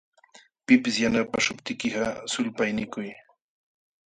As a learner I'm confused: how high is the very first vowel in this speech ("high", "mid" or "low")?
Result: high